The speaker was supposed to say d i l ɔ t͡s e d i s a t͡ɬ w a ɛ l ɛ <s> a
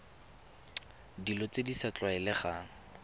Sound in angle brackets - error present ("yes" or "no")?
yes